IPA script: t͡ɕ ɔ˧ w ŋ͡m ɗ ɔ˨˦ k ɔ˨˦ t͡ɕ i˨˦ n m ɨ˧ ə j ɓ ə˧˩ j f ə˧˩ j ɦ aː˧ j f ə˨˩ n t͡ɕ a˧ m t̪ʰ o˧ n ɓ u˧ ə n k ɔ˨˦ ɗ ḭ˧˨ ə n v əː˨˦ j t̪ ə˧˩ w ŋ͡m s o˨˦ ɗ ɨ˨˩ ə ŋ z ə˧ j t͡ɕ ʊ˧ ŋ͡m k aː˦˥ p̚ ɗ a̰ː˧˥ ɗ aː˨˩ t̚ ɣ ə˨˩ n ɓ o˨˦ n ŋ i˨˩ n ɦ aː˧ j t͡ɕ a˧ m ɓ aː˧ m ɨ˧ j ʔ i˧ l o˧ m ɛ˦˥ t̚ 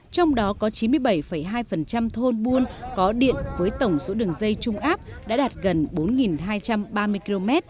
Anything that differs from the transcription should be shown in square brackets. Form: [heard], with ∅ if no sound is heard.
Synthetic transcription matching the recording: t͡ɕ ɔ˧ w ŋ͡m ɗ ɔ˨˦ k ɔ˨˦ t͡ɕ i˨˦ n m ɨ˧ ə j ɓ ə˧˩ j f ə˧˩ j ɦ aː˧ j f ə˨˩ n t͡ɕ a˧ m t̪ʰ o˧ n ɓ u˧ ə n k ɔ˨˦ ɗ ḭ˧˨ ə n v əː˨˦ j t̪ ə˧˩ w ŋ͡m s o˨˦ ɗ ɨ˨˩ ə ŋ z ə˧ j t͡ɕ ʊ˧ ŋ͡m [ʔ] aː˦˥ p̚ ɗ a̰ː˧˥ ɗ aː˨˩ t̚ ɣ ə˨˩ n ɓ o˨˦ n ŋ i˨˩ n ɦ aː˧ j t͡ɕ a˧ m ɓ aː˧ m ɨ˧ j [k] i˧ l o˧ m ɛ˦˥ t̚